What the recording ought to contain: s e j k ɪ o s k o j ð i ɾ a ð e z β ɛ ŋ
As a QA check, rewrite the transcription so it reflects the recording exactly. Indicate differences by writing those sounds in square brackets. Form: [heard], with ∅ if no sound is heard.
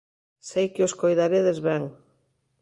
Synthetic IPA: s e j k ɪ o s k o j ð [a] ɾ [e] ð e z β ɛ ŋ